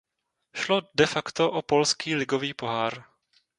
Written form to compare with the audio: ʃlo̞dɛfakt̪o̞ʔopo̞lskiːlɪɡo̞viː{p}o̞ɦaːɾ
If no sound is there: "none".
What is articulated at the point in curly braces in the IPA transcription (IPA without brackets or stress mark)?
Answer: p